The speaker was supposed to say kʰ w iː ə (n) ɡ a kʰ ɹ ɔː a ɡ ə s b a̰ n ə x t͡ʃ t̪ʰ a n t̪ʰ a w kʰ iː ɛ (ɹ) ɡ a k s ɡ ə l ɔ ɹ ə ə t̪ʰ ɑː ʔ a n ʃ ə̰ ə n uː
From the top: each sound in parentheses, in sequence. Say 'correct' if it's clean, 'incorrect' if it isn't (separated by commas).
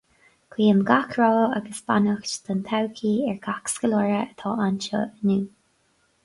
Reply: incorrect, correct